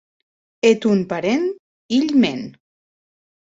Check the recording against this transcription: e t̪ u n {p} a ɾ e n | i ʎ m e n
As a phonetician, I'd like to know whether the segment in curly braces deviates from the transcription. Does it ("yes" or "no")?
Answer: no